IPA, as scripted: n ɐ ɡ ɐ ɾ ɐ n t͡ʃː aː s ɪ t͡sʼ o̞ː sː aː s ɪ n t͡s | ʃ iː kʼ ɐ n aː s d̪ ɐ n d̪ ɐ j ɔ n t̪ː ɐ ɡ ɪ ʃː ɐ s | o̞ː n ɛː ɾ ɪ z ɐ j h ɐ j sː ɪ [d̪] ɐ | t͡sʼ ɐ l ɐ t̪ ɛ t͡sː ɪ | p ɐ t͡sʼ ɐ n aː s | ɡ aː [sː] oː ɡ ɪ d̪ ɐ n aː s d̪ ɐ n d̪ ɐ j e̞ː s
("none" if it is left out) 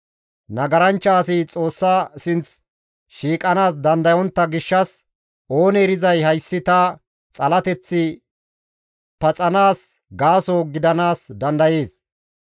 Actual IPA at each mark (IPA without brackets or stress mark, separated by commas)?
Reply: t̪, s